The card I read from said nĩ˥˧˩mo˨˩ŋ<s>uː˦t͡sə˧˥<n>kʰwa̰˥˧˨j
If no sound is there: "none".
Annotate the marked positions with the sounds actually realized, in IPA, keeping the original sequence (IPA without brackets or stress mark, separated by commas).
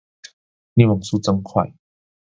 s, ŋ